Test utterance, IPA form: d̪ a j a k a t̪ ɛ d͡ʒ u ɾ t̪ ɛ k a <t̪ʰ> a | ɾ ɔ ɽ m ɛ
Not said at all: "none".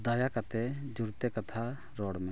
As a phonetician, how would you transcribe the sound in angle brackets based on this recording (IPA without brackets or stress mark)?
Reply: t̪ʰ